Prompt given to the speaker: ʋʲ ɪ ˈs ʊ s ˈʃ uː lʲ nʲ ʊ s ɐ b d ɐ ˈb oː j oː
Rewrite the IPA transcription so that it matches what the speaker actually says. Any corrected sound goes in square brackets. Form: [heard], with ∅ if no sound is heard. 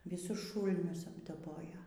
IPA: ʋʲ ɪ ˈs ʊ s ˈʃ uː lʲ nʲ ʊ s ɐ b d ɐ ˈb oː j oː